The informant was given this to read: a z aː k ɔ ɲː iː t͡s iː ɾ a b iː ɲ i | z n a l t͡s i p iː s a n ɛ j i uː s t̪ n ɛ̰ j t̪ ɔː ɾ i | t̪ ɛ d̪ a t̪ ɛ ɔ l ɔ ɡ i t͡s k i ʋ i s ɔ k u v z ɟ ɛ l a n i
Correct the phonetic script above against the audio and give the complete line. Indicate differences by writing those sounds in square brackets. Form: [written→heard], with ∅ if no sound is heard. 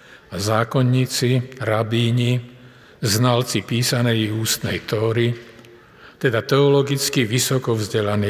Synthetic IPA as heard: a z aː k ɔ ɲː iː t͡s [iː→i] ɾ a b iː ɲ i | z n a l t͡s i p iː s a n ɛ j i uː s t̪ n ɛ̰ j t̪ ɔː ɾ i | t̪ ɛ d̪ a t̪ ɛ ɔ l ɔ ɡ i t͡s k i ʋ i s ɔ k [u→ɔ] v z ɟ ɛ l a n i